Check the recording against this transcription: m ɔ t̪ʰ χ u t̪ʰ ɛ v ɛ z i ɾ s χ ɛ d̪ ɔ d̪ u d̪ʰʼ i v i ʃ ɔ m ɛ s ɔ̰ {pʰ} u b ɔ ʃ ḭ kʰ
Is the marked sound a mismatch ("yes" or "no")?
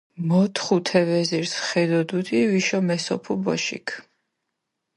no